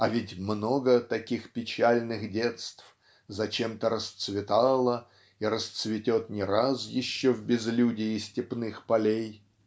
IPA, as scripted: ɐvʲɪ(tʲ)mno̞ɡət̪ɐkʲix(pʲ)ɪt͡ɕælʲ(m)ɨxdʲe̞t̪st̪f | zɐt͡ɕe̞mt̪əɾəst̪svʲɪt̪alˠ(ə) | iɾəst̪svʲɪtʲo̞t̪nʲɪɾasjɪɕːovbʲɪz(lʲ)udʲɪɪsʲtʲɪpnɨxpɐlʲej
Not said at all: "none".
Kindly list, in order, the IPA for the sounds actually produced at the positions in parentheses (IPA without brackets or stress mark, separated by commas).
tʲ, pʲ, n, ə, lʲ